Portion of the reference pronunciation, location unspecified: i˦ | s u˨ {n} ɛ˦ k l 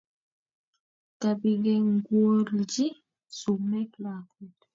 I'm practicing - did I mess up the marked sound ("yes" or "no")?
yes